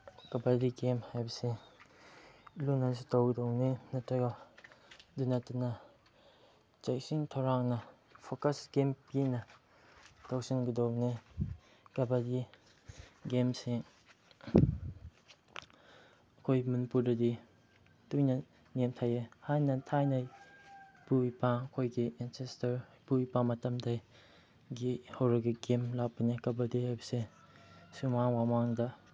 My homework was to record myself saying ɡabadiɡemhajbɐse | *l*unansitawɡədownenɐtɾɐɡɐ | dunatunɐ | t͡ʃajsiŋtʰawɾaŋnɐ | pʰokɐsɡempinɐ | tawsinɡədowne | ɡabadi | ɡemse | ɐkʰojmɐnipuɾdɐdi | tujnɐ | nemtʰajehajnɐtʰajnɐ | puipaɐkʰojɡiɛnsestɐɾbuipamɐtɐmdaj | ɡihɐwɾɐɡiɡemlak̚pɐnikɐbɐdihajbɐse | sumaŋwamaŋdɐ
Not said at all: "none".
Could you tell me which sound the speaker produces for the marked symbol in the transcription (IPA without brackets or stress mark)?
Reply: l